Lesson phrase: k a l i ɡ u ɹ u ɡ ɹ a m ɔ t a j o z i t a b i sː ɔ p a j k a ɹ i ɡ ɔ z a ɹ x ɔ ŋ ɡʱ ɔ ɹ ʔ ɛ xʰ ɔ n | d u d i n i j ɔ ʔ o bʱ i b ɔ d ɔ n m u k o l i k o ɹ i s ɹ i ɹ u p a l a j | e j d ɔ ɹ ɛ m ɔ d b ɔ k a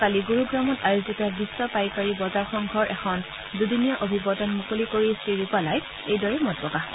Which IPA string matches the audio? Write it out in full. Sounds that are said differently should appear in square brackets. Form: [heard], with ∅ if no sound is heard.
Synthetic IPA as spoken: k a l i ɡ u ɹ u ɡ ɹ a m ɔ t a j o z i t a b i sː ɔ p a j k a ɹ i [b] ɔ z a ɹ x ɔ ŋ ɡʱ ɔ ɹ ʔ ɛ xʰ ɔ n | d u d i n i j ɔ ʔ o bʱ i b ɔ d ɔ n m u k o l i k o ɹ i s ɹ i ɹ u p a l a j | e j d ɔ ɹ ɛ m ɔ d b ɔ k a